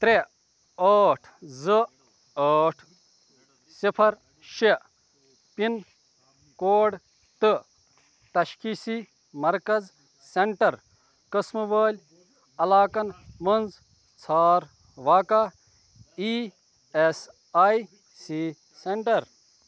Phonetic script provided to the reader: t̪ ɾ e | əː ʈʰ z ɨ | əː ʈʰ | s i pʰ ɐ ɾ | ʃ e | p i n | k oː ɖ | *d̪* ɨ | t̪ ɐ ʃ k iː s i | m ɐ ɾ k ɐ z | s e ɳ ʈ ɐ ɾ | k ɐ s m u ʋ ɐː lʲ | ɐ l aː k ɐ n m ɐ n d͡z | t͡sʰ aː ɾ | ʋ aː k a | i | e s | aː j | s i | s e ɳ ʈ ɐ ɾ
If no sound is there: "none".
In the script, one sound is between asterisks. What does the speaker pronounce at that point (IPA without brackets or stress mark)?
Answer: t̪